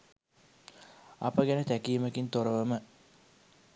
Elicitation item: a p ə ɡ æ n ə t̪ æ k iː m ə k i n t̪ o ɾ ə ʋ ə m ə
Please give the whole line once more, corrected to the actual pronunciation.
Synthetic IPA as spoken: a p ə ɡ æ n ə t̪ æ k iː m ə k i n t̪ o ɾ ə ʋ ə m ə